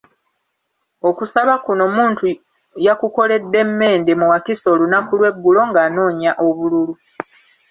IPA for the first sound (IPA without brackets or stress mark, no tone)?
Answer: o̞